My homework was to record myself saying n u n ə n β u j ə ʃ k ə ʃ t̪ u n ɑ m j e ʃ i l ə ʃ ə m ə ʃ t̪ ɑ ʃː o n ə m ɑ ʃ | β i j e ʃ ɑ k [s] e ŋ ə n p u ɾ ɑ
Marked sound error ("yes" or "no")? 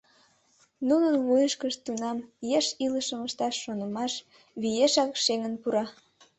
yes